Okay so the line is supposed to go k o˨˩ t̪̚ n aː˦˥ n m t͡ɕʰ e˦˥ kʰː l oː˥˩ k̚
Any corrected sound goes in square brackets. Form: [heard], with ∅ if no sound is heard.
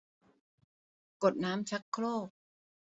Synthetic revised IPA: k o˨˩ t̪̚ n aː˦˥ [∅] m t͡ɕʰ [a˦˥] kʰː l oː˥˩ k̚